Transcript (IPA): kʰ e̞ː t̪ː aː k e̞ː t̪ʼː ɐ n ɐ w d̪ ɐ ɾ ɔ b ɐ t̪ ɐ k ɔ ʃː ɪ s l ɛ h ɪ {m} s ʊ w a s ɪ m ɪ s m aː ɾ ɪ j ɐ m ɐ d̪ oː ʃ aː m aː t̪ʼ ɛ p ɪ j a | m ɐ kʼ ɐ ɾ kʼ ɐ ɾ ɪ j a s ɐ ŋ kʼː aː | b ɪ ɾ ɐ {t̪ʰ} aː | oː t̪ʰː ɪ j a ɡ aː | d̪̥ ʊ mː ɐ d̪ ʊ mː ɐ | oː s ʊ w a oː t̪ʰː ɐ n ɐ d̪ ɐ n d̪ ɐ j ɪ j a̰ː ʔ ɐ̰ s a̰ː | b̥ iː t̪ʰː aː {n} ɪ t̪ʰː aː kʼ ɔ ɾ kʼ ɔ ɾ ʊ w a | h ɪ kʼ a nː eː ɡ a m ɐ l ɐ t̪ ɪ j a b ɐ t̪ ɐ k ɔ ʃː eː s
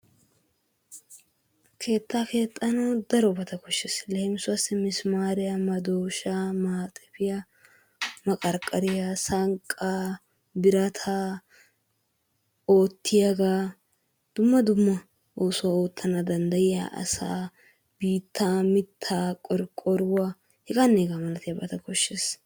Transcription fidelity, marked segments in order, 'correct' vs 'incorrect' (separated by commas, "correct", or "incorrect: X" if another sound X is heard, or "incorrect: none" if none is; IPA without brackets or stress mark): correct, correct, incorrect: m